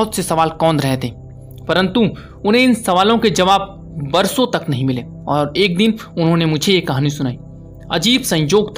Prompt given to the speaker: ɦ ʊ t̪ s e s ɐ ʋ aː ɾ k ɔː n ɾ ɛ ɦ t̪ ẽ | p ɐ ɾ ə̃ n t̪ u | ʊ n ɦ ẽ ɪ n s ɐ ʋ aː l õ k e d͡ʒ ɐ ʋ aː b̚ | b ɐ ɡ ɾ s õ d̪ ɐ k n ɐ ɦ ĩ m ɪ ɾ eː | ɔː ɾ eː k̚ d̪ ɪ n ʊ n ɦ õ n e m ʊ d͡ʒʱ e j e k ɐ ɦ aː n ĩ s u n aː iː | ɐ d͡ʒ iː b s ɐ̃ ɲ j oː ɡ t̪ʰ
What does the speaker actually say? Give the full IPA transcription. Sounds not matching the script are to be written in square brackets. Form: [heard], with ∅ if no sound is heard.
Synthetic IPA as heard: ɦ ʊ t̪ s e s ɐ ʋ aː [l] k ɔː n ɾ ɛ ɦ t̪ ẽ | p ɐ ɾ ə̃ n t̪ u | ʊ n ɦ ẽ ɪ n s ɐ ʋ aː l õ k e d͡ʒ ɐ ʋ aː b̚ | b ɐ [∅] ɾ s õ [t̪] ɐ k n ɐ ɦ ĩ m ɪ [l] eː | ɔː ɾ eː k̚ d̪ ɪ n ʊ n ɦ õ n e m ʊ d͡ʒʱ e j e k ɐ ɦ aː n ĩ s [ʊ] n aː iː | ɐ d͡ʒ iː b s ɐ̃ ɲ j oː ɡ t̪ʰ